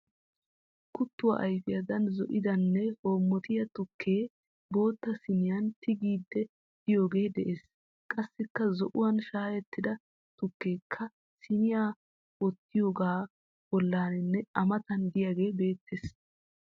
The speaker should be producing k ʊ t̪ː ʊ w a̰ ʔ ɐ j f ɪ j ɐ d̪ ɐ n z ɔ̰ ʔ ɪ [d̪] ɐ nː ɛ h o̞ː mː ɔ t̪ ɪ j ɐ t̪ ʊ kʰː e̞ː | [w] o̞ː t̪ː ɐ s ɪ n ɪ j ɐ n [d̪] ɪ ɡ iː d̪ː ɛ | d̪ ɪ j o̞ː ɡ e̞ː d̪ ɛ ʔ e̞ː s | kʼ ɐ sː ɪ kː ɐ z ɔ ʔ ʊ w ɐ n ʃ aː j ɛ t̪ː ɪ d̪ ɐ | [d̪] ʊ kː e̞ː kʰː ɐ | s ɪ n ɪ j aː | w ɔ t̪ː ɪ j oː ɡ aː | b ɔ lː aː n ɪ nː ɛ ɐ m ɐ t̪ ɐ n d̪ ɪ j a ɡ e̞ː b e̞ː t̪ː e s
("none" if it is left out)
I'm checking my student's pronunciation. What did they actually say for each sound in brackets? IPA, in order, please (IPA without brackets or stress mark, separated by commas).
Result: d̪, b, t̪, t̪